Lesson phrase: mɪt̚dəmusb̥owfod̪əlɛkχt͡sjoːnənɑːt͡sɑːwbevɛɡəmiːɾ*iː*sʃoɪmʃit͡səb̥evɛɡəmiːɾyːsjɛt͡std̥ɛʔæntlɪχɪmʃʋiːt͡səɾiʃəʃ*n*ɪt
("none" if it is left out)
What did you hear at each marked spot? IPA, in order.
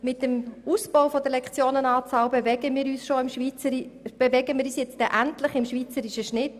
yː, n

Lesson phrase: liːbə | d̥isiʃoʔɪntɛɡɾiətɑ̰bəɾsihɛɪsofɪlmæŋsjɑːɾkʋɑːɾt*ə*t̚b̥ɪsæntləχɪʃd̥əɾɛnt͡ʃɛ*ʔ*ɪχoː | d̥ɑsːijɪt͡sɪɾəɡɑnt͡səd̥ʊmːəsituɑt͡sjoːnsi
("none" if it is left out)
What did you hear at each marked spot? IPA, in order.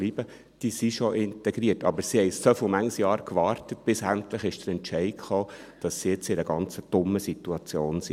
ə, none

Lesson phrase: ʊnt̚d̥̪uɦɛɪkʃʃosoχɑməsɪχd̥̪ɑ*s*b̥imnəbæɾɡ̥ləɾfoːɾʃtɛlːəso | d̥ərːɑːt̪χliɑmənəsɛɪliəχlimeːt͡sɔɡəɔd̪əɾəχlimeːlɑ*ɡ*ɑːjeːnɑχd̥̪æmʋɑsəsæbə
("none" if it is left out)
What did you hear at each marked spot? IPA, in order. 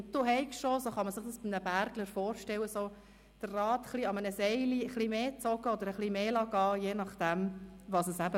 s, ɡ

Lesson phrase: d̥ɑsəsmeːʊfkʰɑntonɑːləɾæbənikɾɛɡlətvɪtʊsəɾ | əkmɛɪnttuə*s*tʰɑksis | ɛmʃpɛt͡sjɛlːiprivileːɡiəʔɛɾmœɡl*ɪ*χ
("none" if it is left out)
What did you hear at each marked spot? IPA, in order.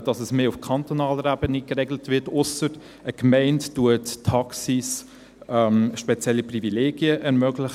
t, ɪ

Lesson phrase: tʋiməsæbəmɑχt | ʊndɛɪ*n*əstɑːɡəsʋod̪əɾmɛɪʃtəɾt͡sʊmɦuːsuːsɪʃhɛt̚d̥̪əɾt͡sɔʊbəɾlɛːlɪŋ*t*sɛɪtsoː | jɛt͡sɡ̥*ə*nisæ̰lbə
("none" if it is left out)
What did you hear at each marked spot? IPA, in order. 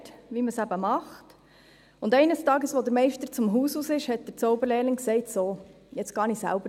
n, k, ɑ

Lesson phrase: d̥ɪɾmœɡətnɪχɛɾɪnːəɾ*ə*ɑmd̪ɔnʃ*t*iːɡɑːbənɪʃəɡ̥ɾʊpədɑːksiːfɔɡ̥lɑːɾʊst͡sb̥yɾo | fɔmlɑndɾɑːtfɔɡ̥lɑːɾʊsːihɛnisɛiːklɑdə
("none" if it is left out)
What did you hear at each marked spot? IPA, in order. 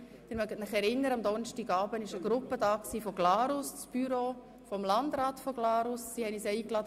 ə, t

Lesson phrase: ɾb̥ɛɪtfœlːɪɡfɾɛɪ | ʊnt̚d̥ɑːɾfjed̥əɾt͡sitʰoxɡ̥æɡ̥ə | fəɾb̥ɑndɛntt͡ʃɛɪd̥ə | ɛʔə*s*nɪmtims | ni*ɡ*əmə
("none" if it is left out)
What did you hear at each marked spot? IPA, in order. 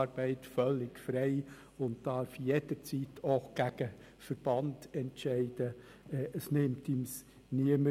s, none

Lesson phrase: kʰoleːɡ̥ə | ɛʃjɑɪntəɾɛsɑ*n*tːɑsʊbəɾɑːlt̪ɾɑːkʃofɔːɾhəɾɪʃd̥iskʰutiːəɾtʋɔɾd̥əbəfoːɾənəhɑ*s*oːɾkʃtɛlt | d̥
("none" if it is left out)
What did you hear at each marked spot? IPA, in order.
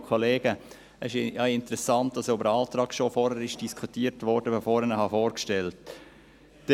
n, f

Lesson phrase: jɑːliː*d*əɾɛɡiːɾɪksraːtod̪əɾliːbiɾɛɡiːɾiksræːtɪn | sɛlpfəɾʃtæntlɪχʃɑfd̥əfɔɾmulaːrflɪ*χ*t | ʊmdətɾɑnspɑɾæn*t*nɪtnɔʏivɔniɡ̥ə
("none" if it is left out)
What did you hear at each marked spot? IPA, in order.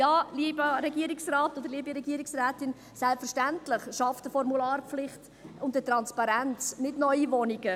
b, χ, t͡s

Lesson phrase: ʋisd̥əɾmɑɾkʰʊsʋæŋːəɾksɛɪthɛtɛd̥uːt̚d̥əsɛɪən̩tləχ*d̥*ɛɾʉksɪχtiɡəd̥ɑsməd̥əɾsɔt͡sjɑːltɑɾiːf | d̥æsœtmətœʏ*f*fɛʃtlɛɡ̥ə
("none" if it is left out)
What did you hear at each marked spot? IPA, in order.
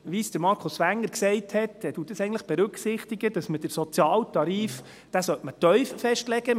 b̥, f

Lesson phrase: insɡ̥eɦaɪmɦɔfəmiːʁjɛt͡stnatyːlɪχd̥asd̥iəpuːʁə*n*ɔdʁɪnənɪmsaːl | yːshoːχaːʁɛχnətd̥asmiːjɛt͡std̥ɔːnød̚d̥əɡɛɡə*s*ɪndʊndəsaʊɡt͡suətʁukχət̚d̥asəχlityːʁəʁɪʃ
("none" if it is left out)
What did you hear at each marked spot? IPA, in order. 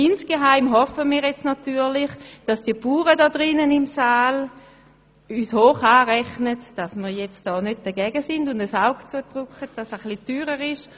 d, s

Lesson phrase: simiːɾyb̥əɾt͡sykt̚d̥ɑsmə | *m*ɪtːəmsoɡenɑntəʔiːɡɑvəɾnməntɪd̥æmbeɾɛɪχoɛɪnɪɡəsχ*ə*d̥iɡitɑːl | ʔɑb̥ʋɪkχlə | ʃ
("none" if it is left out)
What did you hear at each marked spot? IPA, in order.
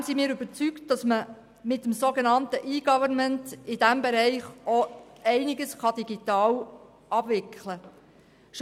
m, ɑ

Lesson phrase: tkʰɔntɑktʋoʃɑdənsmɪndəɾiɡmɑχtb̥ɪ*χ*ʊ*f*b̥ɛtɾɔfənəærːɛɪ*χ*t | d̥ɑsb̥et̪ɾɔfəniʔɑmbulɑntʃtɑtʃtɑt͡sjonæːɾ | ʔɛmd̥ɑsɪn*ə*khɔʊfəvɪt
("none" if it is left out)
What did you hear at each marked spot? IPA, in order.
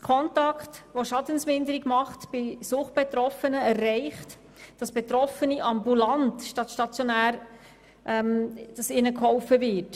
s, χ, χ, ə

